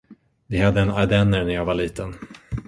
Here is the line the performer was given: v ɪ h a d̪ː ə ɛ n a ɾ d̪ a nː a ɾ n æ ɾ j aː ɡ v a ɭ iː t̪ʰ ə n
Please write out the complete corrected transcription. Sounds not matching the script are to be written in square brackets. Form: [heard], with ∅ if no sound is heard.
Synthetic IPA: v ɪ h a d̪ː ə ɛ n a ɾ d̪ [ɛ] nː [ə] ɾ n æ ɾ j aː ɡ v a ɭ iː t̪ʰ ə n